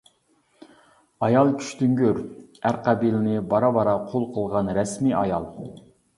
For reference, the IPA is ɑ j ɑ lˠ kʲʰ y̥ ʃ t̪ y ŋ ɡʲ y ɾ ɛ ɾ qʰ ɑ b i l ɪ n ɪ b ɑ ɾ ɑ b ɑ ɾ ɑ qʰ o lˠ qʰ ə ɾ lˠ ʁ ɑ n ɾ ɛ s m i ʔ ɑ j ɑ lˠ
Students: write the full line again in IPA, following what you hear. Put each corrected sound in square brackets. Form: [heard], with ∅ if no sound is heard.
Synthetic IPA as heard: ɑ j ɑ lˠ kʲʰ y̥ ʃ t̪ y ŋ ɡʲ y ɾ [æ] ɾ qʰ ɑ b i l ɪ n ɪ b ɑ ɾ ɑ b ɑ ɾ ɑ qʰ o lˠ qʰ ə [∅] lˠ ʁ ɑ n ɾ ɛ s m i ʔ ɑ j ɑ lˠ